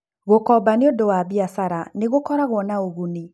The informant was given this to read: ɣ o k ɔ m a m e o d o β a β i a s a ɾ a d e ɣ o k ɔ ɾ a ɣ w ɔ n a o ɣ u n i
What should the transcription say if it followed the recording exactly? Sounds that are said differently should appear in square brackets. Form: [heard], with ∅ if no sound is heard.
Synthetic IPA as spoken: ɣ o k ɔ [b] a [n] e o d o [w] a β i a s a ɾ a [n] e ɣ o k ɔ ɾ a ɣ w ɔ n a o ɣ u n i